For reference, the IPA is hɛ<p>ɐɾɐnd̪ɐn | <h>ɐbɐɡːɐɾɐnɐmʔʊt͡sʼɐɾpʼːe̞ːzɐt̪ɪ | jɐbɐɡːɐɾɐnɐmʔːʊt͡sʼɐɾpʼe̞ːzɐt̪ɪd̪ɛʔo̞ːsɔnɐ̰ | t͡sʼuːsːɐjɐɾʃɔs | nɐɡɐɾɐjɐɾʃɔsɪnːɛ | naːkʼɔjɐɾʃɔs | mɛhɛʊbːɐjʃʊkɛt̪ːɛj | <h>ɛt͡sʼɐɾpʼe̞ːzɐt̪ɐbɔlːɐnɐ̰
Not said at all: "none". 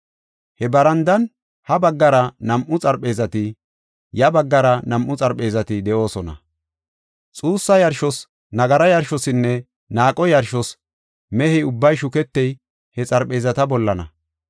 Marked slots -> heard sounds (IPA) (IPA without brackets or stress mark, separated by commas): b, h, h